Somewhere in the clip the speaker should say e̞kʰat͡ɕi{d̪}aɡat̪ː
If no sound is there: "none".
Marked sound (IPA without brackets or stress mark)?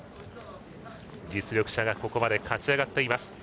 none